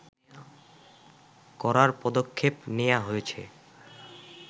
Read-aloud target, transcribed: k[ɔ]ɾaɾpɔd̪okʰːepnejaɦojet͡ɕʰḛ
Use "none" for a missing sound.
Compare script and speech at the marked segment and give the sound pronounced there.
ɔ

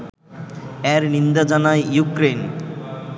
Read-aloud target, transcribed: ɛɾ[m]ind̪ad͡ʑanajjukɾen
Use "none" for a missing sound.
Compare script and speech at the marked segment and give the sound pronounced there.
n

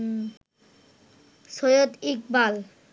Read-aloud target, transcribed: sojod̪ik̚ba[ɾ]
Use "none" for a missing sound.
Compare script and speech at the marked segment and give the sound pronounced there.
l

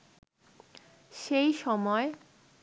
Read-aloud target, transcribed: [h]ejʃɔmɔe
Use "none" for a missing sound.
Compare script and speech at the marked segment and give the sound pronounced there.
ʃ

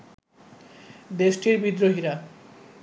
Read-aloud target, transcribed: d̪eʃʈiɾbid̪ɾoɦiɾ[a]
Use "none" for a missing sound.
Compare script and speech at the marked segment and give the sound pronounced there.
a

